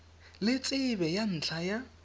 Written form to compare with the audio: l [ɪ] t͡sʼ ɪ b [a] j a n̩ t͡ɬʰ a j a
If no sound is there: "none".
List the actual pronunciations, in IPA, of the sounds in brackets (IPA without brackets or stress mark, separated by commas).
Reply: ɪ, ɛ